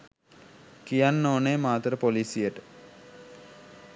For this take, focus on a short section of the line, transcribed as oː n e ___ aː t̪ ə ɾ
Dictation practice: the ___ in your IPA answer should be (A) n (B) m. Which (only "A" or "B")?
B